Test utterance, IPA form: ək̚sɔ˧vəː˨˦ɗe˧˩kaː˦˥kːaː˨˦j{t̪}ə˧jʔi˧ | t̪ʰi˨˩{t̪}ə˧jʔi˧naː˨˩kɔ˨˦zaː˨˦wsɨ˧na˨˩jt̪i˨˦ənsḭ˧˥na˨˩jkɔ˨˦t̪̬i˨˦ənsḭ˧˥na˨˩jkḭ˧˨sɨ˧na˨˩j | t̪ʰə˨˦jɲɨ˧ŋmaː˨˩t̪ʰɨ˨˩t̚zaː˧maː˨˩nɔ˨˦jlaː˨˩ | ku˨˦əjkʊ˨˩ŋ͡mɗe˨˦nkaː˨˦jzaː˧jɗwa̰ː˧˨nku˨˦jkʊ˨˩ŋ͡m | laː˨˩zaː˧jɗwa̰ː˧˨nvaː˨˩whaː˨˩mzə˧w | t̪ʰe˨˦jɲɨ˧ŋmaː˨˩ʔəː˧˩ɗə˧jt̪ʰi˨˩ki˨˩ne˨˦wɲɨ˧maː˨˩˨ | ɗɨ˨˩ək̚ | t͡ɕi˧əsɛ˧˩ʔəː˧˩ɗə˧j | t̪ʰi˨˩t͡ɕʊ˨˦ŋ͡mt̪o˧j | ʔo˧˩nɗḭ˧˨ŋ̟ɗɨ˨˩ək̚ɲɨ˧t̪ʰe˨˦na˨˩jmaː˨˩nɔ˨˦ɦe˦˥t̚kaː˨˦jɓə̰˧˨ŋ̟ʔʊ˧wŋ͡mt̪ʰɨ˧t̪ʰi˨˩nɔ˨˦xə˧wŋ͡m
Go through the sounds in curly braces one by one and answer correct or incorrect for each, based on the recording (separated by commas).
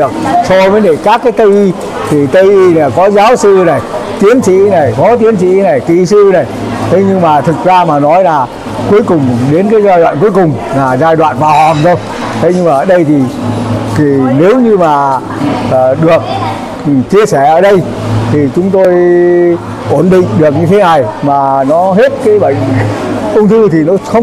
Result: correct, correct